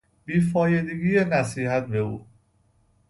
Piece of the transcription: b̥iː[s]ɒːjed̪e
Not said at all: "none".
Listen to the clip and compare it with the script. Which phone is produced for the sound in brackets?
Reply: f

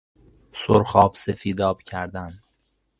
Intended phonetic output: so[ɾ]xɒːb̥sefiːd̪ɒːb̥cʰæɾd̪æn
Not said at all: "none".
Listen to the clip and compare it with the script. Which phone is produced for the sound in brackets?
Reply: ɾ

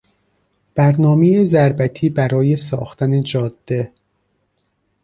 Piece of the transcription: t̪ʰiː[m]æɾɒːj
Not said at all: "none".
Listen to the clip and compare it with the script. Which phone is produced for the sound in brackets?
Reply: b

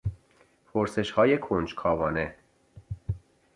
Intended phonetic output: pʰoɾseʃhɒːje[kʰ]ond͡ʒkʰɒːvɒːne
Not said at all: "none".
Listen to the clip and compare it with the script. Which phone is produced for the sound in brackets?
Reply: kʰ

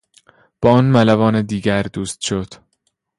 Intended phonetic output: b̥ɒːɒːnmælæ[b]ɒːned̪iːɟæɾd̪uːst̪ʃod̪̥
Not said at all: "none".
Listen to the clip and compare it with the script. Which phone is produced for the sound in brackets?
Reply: v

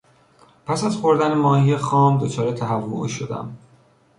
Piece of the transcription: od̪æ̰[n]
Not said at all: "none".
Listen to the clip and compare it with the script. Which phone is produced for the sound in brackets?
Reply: m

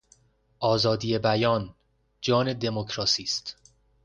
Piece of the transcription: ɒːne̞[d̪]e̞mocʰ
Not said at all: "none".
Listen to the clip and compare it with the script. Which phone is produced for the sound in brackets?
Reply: d̪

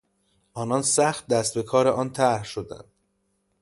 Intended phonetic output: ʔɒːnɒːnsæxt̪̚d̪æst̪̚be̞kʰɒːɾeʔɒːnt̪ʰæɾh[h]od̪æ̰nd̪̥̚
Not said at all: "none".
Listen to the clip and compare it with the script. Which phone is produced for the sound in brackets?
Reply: ʃ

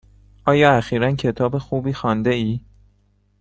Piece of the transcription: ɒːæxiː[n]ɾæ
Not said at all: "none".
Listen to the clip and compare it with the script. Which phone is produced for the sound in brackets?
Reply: none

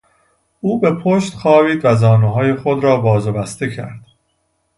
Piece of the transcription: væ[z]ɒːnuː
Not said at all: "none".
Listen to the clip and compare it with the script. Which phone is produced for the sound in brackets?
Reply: z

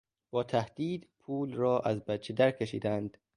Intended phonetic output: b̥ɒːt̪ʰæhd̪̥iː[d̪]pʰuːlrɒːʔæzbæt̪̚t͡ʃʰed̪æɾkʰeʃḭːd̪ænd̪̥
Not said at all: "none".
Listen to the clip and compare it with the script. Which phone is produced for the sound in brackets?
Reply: d̪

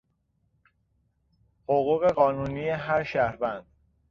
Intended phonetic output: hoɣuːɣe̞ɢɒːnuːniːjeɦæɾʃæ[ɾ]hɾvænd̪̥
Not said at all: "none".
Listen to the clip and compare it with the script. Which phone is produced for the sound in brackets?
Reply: none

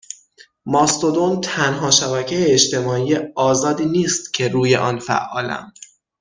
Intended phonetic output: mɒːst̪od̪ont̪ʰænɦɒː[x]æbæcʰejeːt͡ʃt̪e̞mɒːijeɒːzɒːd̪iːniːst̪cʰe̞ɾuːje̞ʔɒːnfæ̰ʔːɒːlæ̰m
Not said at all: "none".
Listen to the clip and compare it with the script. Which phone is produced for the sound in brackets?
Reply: ʃ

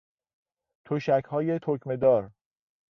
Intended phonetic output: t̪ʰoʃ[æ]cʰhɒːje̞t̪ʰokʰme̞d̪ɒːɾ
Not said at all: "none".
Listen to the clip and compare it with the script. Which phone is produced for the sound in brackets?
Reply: æ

